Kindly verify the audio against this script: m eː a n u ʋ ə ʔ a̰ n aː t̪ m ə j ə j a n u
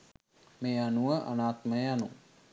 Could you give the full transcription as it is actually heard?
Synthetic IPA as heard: m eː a n u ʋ ə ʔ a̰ n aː t̪ m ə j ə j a n u